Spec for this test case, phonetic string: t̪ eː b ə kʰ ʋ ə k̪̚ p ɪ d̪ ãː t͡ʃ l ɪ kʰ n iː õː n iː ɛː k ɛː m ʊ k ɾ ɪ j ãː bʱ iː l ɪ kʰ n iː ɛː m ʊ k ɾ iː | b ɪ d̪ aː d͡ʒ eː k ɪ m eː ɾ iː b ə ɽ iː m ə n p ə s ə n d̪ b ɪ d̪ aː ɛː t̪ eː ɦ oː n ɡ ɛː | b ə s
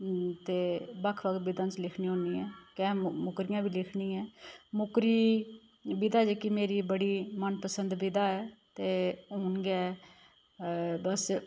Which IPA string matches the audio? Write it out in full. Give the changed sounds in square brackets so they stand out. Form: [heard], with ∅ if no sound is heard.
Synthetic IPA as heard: t̪ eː b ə kʰ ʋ ə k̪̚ [b] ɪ d̪ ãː t͡ʃ l ɪ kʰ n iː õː n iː ɛː k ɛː m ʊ k ɾ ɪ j ãː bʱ iː l ɪ kʰ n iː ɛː m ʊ k ɾ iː | b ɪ d̪ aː d͡ʒ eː k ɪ m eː ɾ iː b ə ɽ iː m ə n p ə s ə n d̪ b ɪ d̪ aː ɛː t̪ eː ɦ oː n ɡ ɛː | b ə s